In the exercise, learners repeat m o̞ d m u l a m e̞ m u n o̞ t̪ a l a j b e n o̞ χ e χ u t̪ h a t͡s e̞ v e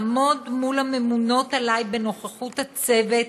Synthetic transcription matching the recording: m o̞ d m u l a m e̞ m u n o̞ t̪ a l a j b e n o̞ χ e χ u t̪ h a t͡s e̞ v e